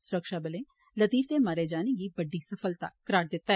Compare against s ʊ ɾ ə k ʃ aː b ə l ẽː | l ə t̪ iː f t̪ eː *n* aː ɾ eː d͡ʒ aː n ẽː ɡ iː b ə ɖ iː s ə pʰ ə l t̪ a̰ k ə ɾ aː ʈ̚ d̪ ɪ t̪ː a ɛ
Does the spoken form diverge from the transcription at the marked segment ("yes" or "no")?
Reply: yes